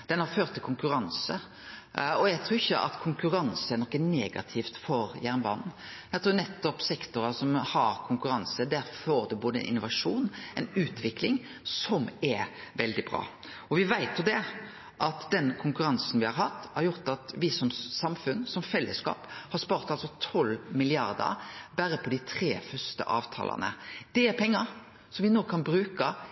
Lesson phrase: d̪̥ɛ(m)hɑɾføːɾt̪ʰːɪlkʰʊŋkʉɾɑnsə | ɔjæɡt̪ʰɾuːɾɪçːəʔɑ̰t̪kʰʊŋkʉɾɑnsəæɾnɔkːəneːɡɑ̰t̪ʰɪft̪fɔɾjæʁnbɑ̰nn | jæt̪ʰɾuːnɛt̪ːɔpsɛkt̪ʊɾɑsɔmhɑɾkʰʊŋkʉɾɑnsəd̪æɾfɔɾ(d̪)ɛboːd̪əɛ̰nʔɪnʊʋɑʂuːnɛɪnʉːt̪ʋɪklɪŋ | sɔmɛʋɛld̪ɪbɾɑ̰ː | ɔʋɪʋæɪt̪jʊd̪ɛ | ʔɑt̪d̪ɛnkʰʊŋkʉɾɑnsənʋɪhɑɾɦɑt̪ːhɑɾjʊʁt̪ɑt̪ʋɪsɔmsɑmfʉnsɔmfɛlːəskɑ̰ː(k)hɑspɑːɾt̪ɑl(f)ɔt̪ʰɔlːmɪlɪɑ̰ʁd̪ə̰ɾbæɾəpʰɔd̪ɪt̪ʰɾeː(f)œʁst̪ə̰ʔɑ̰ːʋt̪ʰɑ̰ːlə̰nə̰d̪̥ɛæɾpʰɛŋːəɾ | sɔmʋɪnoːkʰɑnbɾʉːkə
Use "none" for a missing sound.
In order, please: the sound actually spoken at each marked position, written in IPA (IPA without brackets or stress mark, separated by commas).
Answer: n, d̪, p, s, f